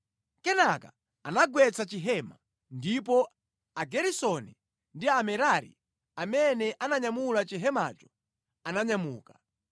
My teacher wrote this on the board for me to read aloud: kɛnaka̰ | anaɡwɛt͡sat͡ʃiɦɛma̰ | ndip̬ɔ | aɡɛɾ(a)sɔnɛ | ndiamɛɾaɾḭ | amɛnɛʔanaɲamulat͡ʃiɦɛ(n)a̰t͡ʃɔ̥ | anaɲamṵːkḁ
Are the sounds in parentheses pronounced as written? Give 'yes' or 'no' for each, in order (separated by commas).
no, no